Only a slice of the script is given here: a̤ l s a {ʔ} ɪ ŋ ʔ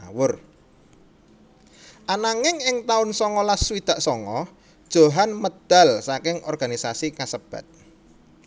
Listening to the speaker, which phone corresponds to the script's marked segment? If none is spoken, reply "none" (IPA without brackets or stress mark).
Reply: k